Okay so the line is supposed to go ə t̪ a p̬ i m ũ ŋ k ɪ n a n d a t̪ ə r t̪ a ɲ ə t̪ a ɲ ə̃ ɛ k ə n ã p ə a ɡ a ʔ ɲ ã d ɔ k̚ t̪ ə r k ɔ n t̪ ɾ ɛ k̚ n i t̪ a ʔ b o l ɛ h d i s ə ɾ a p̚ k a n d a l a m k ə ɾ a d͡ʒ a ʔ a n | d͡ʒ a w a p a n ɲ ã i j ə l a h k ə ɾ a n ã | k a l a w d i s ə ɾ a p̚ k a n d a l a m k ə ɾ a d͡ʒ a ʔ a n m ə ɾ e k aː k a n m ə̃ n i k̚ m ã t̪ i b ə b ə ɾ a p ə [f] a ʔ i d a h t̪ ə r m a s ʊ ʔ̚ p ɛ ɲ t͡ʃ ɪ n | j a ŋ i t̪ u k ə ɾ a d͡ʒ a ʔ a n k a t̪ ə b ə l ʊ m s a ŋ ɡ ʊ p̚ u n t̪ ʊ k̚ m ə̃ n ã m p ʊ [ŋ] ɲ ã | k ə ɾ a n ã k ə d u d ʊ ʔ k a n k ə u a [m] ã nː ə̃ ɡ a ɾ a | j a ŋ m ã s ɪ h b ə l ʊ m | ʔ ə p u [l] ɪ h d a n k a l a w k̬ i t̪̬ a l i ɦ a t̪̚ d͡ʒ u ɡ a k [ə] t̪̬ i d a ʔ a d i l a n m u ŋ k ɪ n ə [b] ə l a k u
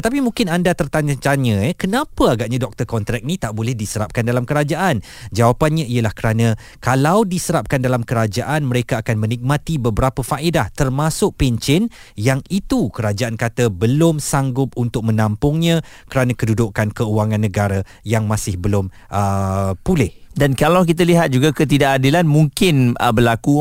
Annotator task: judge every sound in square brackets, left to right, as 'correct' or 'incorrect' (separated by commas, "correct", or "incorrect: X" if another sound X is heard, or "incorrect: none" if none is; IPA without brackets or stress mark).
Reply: correct, correct, incorrect: ŋ, correct, correct, correct